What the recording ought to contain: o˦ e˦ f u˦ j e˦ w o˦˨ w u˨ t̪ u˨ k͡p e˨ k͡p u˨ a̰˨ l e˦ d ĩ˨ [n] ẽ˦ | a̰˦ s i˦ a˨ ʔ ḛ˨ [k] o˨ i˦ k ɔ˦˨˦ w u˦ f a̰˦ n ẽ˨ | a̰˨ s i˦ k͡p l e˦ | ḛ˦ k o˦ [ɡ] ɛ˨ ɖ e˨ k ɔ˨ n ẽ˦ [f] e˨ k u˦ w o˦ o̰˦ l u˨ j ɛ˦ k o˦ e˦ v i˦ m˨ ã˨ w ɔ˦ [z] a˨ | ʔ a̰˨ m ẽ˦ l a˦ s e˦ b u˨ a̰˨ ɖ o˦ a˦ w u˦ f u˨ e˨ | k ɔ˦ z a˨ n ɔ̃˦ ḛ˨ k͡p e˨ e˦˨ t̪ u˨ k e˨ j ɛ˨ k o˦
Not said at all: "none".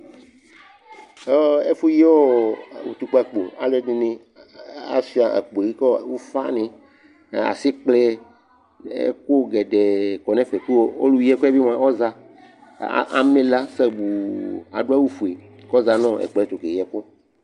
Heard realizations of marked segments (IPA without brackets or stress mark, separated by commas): n, k͡p, ɡ, f, z